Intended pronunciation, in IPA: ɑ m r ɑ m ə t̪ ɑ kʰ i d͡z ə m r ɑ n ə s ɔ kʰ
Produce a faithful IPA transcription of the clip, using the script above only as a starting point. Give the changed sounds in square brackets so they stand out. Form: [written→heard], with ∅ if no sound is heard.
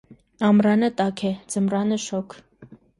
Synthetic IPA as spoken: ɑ m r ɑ [m→n] ə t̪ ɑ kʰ [i→ɛ] d͡z ə m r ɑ n ə [s→ʃ] ɔ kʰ